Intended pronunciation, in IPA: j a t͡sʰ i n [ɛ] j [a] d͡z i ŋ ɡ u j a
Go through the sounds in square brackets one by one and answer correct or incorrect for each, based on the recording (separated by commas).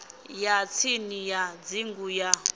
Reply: incorrect, correct